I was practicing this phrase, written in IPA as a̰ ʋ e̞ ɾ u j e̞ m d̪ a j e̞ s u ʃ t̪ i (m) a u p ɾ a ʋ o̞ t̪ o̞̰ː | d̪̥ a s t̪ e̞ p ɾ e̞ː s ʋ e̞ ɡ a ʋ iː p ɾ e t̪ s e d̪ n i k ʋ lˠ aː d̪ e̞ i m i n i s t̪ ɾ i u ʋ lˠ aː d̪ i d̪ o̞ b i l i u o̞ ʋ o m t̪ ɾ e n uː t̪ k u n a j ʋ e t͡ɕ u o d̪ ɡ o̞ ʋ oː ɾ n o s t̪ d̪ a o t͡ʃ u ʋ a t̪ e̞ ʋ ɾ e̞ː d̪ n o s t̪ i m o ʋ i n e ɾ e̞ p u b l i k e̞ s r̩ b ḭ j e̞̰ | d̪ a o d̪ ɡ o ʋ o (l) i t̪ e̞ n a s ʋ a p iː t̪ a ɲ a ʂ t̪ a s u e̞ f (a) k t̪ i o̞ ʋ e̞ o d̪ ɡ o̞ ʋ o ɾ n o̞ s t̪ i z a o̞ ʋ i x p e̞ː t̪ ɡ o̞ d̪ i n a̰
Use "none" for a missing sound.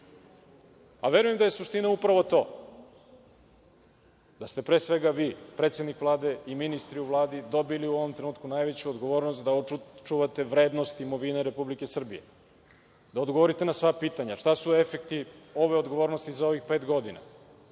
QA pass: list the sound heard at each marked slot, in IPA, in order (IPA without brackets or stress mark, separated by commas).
n, ɾ, e